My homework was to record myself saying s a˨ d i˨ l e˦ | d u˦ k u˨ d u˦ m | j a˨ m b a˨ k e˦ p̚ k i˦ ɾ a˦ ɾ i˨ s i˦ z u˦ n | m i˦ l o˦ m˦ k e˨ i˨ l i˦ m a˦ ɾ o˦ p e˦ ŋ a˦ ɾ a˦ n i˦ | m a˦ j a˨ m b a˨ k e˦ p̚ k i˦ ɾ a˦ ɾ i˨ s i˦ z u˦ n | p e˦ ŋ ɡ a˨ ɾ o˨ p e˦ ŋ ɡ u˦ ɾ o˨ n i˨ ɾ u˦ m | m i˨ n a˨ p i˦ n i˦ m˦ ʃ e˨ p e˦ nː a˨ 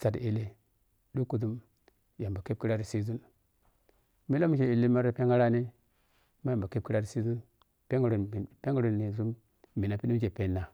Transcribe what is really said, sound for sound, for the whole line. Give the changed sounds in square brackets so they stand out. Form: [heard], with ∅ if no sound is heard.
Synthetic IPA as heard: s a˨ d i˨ l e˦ | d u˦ k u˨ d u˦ m | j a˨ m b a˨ k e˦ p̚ k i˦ ɾ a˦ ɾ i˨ s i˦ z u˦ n | m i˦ l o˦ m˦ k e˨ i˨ l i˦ m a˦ ɾ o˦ p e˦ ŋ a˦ ɾ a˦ n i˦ | m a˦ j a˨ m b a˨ k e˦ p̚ k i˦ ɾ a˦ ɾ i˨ s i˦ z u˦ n | p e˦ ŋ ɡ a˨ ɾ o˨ p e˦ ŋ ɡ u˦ ɾ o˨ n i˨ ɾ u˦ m | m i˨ n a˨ p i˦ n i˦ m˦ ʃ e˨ p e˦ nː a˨